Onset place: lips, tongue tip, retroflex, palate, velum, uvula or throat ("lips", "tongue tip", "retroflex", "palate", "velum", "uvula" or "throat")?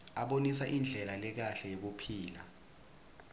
lips